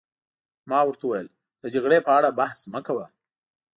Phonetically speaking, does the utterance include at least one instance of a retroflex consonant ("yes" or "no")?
yes